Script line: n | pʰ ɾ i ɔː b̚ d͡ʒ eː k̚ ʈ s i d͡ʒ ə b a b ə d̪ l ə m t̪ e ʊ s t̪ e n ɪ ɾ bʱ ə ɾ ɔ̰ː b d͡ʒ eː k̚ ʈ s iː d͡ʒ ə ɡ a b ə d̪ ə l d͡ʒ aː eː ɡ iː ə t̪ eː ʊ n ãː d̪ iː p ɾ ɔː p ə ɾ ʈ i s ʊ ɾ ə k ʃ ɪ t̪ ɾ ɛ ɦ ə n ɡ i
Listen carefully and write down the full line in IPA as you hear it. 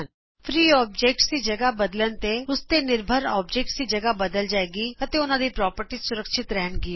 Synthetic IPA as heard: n | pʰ ɾ iː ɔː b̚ d͡ʒ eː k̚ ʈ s i d͡ʒ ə ɡ a b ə d̪ l ə n t̪ e ʊ s t̪ e n ɪ ɾ bʱ ə ɾ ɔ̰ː b d͡ʒ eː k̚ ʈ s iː d͡ʒ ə ɡ a b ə d̪ ə l d͡ʒ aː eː ɡ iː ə t̪ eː ʊ n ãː d̪ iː p ɾ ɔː p ə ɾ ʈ i s ʊ ɾ ə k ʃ ɪ t̪ ɾ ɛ ɦ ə n ɡ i

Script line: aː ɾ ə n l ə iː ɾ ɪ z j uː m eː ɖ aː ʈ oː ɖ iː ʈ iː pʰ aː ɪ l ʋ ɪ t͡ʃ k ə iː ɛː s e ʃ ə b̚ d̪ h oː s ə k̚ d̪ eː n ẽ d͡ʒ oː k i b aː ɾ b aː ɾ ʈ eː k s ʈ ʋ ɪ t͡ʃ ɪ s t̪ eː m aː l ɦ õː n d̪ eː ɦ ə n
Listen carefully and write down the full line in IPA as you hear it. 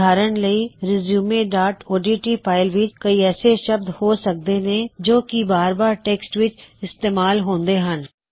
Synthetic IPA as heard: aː ɾ ə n l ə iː ɾ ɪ z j uː m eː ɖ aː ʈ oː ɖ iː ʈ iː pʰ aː ɪ l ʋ ɪ t͡ʃ k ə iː ɛː s e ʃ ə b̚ d̪ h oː s ə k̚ d̪ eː n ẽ d͡ʒ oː k i b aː ɾ b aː ɾ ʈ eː k s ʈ ʋ ɪ t͡ʃ ɪ s t̪ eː m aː l ɦ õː n d̪ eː ɦ ə n

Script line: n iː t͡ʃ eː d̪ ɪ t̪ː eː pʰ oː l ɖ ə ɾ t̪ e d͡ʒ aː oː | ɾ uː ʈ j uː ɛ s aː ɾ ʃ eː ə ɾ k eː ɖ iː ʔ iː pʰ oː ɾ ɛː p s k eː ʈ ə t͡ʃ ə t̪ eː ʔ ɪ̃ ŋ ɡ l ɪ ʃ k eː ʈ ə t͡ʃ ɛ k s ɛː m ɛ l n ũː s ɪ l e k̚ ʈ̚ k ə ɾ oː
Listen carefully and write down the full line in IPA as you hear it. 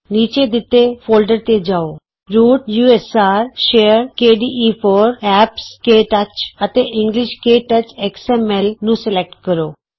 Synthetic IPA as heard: n iː t͡ʃ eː d̪ ɪ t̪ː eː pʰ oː l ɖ ə ɾ t̪ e d͡ʒ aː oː | ɾ uː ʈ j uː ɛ s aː ɾ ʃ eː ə ɾ k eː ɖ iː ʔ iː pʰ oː ɾ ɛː p s k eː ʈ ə t͡ʃ ə t̪ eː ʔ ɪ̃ ŋ ɡ l ɪ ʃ k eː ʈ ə t͡ʃ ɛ k s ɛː m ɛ l n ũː s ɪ l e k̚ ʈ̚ k ə ɾ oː

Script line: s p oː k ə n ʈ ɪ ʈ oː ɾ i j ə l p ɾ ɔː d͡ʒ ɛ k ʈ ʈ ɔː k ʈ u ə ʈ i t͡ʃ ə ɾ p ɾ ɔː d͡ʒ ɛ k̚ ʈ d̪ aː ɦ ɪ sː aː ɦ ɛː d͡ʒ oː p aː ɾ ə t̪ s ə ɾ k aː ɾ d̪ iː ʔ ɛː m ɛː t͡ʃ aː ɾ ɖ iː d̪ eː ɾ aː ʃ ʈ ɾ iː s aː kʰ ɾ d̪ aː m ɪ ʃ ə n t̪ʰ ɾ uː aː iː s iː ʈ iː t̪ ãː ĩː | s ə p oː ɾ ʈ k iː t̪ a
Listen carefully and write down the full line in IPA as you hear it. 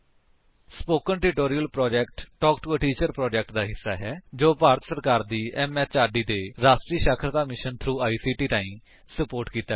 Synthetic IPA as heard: s p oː k ə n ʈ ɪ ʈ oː ɾ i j ə l p ɾ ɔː d͡ʒ ɛ k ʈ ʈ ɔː k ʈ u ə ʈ iː t͡ʃ ə ɾ p ɾ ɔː d͡ʒ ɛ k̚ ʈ d̪ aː ɦ ɪ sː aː ɦ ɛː d͡ʒ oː p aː ɾ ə t̪ s ə ɾ k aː ɾ d̪ iː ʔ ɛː m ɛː t͡ʃ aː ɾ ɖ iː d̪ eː ɾ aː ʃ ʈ ɾ iː ʃ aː kʰ ɾ t̪ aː m ɪ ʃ ə n t̪ʰ ɾ uː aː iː s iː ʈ iː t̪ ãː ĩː | s ə p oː ɾ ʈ k iː t̪ a

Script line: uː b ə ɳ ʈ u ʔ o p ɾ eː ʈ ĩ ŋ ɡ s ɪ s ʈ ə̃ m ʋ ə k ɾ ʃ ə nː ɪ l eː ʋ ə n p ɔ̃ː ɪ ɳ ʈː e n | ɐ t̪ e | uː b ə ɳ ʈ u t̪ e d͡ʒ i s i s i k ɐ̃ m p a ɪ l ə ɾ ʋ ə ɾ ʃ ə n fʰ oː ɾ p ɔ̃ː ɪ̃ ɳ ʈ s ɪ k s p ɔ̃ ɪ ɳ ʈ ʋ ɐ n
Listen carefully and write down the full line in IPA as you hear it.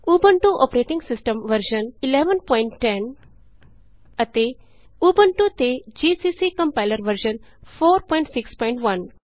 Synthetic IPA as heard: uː b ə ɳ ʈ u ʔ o p ɾ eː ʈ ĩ ŋ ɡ s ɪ s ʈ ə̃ m ʋ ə ɾ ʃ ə n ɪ l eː ʋ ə n p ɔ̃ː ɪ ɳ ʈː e n | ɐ t̪ e | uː b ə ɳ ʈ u t̪ e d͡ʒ i s i s i k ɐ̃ m p a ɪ l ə ɾ ʋ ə ɾ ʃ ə n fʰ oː ɾ p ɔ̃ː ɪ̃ ɳ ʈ s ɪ k s p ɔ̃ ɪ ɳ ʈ ʋ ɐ n

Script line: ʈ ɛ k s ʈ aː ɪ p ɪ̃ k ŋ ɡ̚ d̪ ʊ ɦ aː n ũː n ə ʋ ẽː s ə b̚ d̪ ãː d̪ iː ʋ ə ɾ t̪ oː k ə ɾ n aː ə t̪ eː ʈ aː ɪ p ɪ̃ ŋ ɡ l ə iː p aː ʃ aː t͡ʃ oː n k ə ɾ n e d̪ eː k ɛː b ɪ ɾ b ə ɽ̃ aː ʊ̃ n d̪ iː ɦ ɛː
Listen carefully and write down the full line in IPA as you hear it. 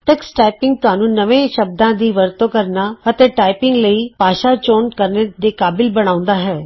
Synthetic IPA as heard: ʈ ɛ k s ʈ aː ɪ p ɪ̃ ŋ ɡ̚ t̪ ʊ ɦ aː n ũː n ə ʋ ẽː ʃ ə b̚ d̪ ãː d̪ iː ʋ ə ɾ t̪ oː k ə ɾ n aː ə t̪ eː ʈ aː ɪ p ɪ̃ ŋ ɡ l ə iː p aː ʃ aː t͡ʃ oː n k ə ɾ n e d̪ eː k aː b ɪ l b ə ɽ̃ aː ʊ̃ n d̪ aː ɦ ɛː

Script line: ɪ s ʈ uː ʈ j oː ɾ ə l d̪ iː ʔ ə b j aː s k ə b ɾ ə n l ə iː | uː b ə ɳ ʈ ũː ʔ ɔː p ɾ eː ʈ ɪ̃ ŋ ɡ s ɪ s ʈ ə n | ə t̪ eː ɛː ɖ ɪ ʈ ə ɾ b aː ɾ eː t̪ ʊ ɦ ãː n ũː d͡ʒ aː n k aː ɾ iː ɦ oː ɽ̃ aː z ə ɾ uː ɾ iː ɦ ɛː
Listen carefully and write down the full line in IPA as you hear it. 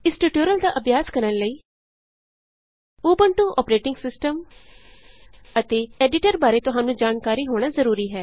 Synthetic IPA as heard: ɪ s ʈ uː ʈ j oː ɾ ə l d̪ aː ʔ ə b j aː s k ə ɾ ə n l ə iː | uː b ə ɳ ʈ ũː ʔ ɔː p ɾ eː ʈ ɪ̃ ŋ ɡ s ɪ s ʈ ə m | ə t̪ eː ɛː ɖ ɪ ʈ ə ɾ b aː ɾ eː t̪ ʊ ɦ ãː n ũː d͡ʒ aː n k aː ɾ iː ɦ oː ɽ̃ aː z ə ɾ uː ɾ iː ɦ ɛː

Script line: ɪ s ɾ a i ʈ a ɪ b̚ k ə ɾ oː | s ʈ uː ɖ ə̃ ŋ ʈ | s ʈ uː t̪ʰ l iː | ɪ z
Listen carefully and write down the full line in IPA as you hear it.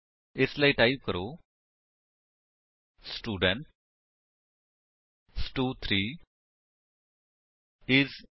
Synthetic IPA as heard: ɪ s l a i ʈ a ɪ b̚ k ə ɾ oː | s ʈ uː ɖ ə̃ ɳ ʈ | s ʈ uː t̪ʰ ɾ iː | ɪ z

